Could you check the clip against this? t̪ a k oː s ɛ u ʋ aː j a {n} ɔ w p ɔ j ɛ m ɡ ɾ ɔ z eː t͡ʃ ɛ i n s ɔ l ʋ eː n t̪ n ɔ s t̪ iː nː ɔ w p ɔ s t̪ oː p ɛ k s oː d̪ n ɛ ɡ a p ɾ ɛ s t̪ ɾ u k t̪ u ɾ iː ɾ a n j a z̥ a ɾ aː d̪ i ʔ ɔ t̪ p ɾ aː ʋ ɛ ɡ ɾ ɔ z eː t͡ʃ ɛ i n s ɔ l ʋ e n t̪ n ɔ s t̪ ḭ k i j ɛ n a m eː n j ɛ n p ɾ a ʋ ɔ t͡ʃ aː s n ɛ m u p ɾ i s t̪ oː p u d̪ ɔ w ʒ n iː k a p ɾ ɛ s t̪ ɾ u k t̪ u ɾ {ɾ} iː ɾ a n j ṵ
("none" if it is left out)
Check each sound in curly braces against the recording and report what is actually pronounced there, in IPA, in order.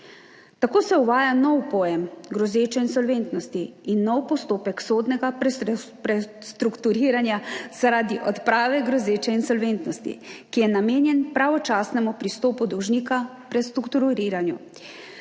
n, ɾ

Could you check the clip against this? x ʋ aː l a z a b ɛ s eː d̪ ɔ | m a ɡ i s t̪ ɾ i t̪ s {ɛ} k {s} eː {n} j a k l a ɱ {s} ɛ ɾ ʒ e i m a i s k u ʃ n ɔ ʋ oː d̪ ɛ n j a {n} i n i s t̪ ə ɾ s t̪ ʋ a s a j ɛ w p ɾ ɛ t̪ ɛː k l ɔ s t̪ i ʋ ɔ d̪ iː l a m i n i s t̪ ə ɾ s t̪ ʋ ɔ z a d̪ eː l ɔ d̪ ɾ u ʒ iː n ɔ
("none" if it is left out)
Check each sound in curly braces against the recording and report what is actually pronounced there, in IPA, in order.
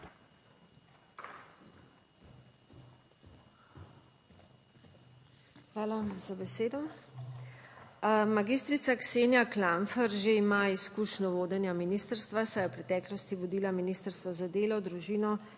a, s, n, f, m

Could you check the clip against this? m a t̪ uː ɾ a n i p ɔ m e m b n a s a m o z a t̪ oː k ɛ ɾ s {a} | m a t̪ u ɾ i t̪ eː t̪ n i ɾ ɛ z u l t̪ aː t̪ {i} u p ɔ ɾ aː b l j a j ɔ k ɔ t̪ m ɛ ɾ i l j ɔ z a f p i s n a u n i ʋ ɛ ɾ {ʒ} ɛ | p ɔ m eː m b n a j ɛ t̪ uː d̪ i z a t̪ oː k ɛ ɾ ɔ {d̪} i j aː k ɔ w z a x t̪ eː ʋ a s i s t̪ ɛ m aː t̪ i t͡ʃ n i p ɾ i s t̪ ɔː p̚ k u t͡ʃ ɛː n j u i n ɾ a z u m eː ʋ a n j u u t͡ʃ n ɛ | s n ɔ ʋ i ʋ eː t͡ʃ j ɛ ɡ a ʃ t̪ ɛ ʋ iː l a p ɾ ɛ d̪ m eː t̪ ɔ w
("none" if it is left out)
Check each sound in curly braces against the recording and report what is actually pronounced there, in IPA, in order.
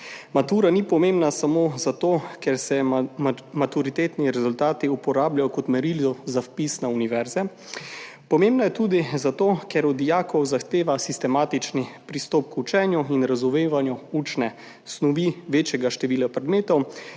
ɛ, i, z, d̪

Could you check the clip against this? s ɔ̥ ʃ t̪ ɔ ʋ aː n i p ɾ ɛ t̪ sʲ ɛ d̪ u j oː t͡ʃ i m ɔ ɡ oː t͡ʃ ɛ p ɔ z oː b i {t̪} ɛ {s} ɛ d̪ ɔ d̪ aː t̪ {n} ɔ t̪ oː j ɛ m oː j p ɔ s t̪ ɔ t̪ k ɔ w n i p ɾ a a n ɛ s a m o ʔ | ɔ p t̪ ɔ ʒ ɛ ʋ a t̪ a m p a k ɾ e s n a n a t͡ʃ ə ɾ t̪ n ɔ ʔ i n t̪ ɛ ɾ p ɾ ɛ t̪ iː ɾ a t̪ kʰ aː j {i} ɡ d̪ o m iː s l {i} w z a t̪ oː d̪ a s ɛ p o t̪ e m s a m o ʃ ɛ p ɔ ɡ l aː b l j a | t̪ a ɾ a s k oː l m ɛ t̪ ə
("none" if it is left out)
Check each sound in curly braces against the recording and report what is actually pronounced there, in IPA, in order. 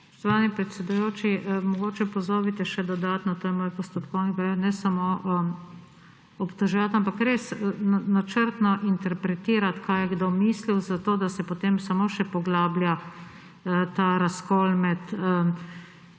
t̪, ʃ, n, ɛ, i

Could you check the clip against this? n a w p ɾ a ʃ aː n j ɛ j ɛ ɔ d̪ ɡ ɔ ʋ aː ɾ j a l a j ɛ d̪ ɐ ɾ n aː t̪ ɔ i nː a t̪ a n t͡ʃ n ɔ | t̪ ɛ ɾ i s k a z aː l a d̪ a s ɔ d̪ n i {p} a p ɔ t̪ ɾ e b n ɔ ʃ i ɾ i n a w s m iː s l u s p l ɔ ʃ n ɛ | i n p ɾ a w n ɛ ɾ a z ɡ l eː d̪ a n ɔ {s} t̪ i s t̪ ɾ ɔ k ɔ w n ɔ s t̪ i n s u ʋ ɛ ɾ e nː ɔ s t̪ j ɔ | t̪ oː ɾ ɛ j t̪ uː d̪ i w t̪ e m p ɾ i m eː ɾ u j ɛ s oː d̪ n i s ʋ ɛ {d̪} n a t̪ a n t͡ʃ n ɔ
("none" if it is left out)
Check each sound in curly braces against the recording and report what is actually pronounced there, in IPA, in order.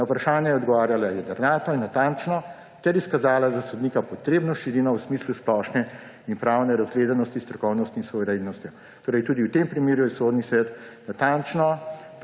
k, s, t̪

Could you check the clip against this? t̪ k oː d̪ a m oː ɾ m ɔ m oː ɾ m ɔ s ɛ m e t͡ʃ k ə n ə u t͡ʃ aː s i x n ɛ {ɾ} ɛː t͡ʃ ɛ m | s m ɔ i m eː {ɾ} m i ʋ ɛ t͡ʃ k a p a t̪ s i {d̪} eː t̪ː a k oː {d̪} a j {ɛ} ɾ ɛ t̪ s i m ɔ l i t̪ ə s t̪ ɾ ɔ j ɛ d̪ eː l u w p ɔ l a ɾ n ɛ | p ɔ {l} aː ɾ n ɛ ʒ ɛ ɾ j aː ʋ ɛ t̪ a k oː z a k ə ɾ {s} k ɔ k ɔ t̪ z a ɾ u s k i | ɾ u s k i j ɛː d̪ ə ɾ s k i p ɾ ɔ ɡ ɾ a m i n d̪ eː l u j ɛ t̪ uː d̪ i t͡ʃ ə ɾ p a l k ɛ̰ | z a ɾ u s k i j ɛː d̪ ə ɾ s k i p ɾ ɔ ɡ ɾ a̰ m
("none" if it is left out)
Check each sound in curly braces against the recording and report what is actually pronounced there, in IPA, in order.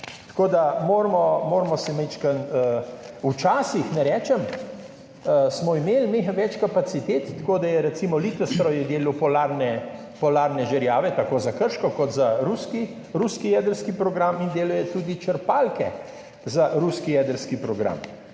ɾ, l, t̪, d̪, ɛ, l, ʃ

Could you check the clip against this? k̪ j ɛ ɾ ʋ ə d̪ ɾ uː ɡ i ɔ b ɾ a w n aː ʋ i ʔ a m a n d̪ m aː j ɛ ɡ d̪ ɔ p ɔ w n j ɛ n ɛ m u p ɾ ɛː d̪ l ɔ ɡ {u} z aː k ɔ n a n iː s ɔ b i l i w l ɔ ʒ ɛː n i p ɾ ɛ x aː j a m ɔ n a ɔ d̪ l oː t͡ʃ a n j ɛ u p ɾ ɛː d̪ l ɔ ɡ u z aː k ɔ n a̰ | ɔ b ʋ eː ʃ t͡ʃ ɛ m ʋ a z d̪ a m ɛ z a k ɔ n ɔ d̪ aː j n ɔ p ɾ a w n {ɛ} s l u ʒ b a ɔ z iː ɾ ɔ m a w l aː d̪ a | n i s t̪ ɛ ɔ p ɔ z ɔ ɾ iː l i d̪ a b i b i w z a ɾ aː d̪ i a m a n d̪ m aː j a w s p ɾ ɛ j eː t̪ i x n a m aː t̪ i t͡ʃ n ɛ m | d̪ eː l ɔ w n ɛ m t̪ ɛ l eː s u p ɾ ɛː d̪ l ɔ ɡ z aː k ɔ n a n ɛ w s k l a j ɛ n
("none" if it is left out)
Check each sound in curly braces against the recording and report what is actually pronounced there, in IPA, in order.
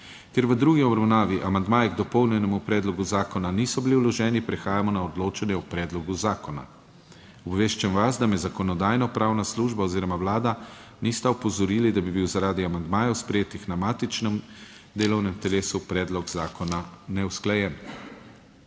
u, a

